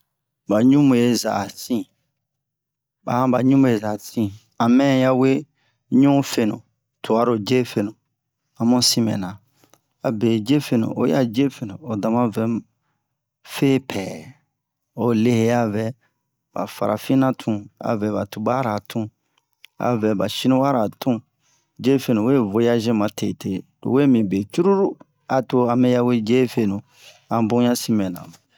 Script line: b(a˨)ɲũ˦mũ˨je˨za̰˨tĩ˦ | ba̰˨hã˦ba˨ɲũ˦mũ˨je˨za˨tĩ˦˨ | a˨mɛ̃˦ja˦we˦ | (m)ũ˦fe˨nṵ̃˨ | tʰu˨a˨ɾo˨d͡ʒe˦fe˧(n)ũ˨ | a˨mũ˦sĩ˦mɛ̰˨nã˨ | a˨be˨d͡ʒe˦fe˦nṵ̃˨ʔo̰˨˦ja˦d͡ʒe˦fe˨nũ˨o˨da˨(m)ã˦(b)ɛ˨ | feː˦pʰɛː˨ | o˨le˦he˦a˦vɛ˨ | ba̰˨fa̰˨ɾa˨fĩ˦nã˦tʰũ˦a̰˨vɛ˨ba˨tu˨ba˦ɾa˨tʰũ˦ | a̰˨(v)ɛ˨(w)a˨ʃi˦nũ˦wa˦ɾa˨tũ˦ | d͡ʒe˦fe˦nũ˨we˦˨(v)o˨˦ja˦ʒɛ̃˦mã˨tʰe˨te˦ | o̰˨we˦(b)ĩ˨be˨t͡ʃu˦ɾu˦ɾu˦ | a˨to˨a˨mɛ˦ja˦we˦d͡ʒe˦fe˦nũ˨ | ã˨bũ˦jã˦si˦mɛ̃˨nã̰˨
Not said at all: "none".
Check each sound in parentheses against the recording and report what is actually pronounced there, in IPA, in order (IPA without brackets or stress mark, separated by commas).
a˨, ɲ, n, m, v, v, b, v, m